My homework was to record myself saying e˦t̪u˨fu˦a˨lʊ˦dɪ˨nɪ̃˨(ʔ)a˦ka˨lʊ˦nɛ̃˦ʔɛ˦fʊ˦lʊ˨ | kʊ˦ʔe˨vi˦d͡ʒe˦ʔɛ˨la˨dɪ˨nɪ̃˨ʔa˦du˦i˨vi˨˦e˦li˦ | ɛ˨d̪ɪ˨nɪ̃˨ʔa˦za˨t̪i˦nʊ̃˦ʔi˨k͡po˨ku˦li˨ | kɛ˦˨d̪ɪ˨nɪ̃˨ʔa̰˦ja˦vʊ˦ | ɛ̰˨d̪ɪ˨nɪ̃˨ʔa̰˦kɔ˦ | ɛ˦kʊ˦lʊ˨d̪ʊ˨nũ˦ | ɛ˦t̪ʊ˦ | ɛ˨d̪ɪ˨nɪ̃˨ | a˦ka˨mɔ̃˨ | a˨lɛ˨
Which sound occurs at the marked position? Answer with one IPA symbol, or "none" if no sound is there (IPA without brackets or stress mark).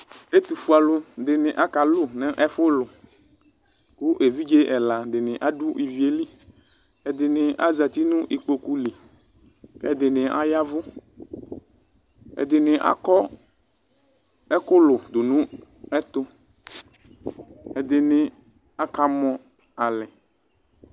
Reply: ʔ